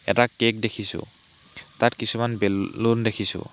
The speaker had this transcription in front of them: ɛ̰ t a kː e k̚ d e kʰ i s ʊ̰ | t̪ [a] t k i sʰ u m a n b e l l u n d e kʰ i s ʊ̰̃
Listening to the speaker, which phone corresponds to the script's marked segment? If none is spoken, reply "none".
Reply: a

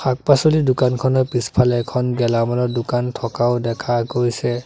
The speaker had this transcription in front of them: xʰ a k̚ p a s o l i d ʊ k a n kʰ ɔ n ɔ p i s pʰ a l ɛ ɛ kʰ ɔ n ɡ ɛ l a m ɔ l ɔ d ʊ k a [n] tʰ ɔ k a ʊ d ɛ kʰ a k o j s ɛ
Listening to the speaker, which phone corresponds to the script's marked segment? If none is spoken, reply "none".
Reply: n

